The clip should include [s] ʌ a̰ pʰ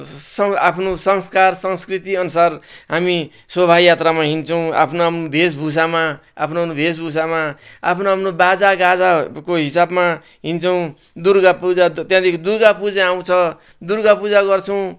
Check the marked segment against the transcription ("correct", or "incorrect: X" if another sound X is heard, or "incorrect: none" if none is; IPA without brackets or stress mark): correct